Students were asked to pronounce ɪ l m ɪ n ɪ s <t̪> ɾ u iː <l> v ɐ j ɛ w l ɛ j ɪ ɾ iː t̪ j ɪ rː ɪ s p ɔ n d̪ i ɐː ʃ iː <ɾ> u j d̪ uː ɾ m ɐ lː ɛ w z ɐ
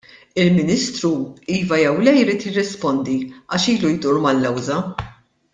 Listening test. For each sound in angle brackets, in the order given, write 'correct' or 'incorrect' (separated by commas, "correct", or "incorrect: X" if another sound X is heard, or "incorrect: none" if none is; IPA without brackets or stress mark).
correct, incorrect: none, incorrect: l